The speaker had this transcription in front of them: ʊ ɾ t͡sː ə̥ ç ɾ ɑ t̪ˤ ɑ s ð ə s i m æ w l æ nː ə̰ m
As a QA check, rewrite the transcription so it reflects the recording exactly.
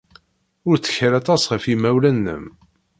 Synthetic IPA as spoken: ʊ ɾ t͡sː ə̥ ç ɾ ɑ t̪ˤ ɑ s ʁ ə f i m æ w l æ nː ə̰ m